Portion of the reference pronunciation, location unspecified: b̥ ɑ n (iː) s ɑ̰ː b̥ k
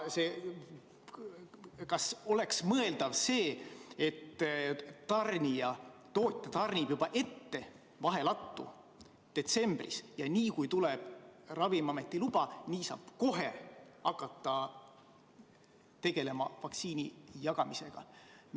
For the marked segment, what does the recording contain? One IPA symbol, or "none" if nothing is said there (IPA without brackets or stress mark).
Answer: iː